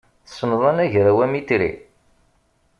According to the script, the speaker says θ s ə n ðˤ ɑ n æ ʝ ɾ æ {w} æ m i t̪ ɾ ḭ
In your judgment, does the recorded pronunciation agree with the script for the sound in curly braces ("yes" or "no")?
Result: yes